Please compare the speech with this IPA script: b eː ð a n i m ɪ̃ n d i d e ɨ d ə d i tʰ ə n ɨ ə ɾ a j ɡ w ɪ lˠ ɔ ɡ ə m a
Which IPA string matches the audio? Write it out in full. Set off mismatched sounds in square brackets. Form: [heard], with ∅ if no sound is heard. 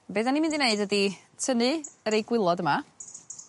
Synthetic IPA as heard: b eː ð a n i m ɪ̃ n d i [n] e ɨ d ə d i tʰ ə n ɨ ə ɾ [e] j ɡ w ɪ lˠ ɔ [d] ə m a